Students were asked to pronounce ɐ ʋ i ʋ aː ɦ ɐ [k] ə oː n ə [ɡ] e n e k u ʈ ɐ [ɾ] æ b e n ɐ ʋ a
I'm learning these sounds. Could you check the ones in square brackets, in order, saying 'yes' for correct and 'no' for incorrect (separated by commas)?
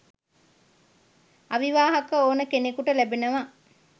yes, no, no